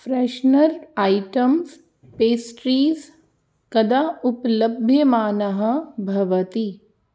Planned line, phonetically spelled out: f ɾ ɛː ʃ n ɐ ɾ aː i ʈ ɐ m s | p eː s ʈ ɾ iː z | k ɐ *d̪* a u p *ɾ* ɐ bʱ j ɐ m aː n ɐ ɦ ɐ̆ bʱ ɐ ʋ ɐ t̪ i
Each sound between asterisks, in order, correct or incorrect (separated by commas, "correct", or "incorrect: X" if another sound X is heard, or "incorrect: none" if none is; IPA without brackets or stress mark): correct, incorrect: l